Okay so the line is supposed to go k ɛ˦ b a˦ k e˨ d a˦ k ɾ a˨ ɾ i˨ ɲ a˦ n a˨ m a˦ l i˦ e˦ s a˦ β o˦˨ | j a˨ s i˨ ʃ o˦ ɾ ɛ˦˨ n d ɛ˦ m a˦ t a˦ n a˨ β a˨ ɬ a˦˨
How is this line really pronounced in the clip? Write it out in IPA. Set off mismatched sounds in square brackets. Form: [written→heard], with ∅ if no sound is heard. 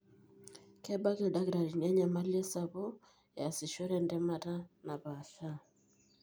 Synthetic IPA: k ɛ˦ b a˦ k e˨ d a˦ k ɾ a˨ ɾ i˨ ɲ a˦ [n→ɲ] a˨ m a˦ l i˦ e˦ s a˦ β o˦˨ | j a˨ s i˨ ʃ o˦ ɾ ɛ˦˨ n d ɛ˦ m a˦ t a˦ n a˨ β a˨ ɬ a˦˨